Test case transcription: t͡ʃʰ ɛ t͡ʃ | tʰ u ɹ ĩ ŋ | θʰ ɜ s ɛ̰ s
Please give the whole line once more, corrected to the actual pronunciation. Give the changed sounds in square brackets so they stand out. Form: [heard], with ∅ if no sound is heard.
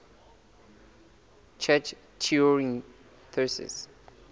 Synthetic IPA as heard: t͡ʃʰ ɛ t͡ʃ | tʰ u ɹ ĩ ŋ | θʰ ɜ s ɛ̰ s

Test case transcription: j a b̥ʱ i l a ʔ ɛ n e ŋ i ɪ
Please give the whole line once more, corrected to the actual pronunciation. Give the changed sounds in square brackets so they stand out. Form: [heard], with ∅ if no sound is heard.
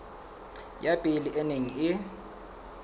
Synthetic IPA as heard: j a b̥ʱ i l [i] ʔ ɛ n e ŋ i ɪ

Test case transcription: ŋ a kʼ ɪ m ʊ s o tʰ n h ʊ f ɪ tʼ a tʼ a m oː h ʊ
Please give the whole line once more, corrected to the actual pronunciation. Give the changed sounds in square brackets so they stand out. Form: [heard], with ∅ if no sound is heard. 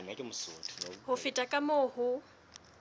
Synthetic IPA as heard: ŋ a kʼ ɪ m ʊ s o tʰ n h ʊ f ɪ tʼ a [kʼ] a m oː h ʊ

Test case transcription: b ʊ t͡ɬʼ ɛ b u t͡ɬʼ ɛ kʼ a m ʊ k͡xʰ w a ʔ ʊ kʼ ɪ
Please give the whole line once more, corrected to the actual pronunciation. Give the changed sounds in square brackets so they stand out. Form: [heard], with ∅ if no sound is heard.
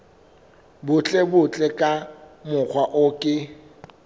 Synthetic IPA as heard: b ʊ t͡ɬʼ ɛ b [ʊ] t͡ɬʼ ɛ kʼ a m ʊ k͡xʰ w a ʔ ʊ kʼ ɪ

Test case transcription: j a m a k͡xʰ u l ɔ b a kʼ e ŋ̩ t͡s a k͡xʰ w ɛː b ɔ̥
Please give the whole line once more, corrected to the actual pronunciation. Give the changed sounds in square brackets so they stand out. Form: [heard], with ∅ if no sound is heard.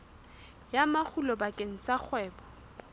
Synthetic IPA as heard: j a m a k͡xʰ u l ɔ b a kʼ e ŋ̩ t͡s a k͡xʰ w ɛː b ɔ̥

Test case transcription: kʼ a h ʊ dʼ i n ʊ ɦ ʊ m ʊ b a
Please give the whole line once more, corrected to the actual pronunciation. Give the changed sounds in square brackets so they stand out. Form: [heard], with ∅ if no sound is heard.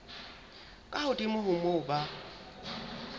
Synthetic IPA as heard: kʼ a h ʊ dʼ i [m] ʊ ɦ ʊ m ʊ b a

